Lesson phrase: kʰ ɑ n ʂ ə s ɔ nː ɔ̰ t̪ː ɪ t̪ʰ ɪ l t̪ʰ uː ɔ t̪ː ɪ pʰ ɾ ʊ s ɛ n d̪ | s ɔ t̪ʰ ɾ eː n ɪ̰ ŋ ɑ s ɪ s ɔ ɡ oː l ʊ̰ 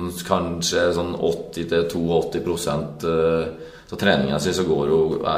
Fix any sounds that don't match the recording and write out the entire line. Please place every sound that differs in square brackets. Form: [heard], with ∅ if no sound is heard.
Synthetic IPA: kʰ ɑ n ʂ ə s ɔ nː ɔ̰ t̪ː ɪ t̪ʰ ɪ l t̪ʰ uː ɔ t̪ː ɪ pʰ ɾ ʊ s ɛ n [t̪] | s ɔ t̪ʰ ɾ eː n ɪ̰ ŋ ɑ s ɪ s ɔ ɡ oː [ɾ] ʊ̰